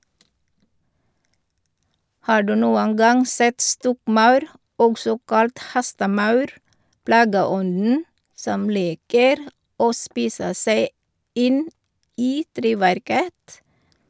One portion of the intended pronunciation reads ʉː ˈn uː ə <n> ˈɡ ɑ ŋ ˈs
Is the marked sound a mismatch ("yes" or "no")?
no